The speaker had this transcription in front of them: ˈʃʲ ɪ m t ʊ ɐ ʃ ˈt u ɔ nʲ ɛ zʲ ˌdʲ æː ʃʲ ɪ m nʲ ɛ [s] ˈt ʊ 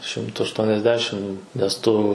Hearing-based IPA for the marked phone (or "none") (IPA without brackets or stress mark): s